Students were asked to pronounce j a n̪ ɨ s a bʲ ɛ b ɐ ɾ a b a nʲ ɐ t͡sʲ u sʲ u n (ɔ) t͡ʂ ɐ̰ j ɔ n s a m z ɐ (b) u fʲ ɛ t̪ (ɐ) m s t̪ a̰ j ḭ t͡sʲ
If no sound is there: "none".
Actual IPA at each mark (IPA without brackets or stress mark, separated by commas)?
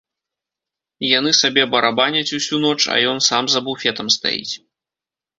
ɔ, b, ɐ